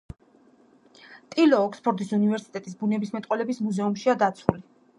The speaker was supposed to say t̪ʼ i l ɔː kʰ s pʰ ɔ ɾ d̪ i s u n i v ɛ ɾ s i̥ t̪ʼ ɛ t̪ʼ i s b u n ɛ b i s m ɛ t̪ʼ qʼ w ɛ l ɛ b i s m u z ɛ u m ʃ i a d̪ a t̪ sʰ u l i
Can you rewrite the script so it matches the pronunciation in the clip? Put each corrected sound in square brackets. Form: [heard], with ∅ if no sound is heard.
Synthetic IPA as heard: t̪ʼ i l ɔː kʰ s pʰ ɔ ɾ d̪ i s u n i v ɛ ɾ s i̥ t̪ʼ ɛ t̪ʼ i s b u n ɛ b i s m ɛ t̪ʼ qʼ w ɛ l ɛ b i s m u z ɛ u m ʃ i a d̪ a t̪ sʰ u l i